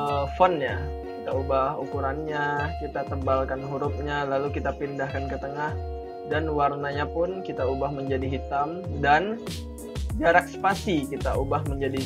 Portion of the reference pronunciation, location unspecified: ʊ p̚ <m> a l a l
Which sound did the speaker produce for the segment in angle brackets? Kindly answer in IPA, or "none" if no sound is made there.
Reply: ɲ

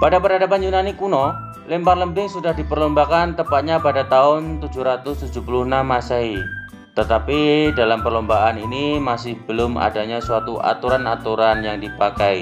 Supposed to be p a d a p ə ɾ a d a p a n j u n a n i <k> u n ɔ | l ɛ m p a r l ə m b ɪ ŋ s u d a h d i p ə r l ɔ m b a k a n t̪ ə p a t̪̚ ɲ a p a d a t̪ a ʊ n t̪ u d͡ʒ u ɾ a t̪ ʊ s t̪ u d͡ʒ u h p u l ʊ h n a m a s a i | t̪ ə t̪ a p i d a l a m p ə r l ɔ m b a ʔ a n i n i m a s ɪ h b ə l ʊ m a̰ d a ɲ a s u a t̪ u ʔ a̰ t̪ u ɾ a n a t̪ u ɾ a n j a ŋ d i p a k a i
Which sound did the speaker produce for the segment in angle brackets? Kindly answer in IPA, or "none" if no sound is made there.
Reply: k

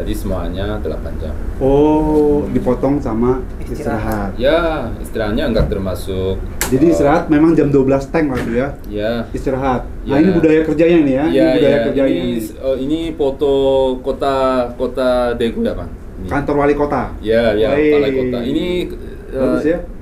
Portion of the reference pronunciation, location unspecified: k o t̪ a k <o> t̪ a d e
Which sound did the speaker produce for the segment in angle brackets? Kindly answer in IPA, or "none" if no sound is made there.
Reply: o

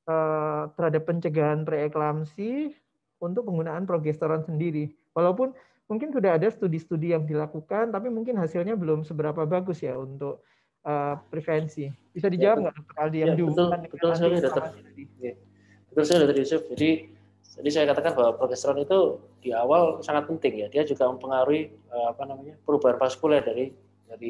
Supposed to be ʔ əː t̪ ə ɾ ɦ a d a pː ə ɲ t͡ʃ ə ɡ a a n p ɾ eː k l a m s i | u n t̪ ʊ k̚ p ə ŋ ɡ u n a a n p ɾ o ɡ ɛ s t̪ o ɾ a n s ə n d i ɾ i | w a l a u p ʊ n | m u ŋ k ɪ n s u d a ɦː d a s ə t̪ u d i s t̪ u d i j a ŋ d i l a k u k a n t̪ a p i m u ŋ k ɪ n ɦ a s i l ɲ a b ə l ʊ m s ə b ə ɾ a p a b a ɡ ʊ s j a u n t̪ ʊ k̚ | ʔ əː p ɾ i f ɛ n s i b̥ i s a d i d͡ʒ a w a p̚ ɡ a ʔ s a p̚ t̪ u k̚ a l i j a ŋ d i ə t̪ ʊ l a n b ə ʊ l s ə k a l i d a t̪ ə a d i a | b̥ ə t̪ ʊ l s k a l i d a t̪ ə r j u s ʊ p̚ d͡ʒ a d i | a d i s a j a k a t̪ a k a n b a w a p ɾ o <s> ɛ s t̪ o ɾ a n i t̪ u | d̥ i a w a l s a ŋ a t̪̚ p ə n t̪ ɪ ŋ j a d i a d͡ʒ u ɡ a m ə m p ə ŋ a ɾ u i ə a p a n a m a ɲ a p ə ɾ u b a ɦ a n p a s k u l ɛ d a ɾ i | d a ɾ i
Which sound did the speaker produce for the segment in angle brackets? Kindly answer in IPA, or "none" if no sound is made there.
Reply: f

